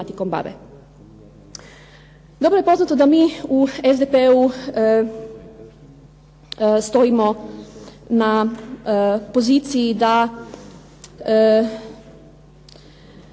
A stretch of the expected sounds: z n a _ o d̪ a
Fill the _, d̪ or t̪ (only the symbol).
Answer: t̪